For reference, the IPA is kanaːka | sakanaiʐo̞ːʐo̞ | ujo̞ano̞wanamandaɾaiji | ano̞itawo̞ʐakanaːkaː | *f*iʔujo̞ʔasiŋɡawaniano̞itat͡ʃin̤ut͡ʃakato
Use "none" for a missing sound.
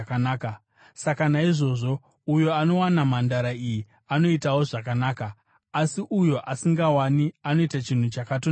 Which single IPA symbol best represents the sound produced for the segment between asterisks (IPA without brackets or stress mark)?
s